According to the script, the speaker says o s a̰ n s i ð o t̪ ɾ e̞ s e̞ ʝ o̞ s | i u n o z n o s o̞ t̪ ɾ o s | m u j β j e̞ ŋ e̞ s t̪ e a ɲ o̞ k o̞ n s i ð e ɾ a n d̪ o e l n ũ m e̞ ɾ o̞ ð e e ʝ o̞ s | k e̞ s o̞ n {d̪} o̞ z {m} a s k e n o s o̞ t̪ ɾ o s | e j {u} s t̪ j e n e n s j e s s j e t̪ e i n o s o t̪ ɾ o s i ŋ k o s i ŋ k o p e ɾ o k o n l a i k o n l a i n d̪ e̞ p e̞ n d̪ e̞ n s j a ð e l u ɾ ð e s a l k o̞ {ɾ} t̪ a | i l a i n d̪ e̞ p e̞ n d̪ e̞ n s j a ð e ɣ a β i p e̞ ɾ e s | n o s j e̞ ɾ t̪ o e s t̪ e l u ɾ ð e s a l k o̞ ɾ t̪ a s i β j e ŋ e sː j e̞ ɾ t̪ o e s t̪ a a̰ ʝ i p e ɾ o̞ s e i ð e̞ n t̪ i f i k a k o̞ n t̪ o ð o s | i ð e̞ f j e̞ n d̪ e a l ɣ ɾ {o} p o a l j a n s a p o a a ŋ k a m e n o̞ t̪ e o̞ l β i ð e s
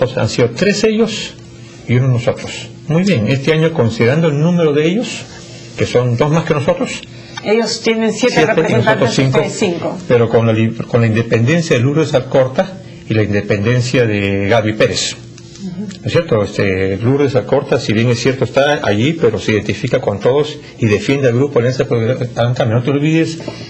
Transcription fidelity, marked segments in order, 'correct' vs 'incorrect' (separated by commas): correct, correct, incorrect, correct, incorrect